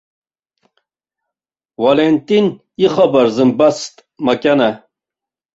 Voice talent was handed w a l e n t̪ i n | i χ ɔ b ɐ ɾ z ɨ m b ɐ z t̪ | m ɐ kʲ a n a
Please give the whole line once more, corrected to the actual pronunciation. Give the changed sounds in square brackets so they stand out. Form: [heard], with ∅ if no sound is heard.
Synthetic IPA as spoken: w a l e n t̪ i n | i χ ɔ b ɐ ɾ z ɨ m b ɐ [s] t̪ | m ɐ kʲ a n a

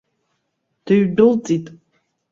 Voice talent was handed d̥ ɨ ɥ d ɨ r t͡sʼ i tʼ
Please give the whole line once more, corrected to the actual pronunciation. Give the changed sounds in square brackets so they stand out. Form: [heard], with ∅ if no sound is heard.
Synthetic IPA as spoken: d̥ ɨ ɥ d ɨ [l] t͡sʼ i tʼ

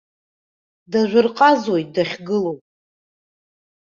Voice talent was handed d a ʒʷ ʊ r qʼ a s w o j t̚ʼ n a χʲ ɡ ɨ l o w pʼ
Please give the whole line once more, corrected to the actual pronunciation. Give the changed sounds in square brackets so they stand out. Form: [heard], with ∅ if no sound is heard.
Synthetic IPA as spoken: d a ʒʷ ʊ r qʼ a [z] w o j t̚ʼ [d] a χʲ ɡ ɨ l o w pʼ

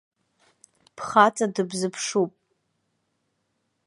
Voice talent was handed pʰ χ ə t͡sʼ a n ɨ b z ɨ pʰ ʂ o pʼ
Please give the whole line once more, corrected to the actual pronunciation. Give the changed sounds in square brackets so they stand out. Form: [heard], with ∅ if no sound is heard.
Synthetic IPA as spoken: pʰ χ [a] t͡sʼ a [d] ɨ b z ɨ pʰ ʂ [u] pʼ

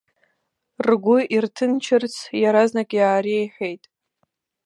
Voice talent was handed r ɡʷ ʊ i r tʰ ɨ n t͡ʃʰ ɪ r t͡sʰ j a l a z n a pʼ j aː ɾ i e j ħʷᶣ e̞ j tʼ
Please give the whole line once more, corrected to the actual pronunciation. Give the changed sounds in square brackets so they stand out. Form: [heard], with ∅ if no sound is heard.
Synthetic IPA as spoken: r ɡʷ ʊ i r tʰ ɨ n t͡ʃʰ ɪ r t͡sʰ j a [ɾ] a z n a [kʼ] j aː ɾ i e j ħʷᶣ e̞ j tʼ

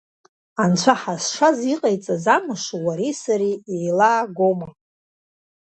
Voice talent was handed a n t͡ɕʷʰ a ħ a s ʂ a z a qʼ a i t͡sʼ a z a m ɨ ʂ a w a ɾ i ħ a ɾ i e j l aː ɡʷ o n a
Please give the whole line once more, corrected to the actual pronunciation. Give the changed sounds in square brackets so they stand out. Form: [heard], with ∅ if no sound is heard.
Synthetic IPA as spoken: a n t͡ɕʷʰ a ħ a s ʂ a z [i] qʼ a [j] t͡sʼ a z a m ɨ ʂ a w a ɾ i [s] a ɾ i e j l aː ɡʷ o [m] a

